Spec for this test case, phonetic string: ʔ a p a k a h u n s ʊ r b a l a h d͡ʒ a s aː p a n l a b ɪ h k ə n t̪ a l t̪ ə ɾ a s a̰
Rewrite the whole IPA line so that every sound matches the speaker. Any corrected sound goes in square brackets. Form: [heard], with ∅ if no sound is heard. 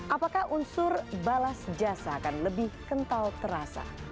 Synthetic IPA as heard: ʔ a p a k a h u n s ʊ r b a l a [s] d͡ʒ a s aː [k] a n l [ə] b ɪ h k ə n t̪ a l t̪ ə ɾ a s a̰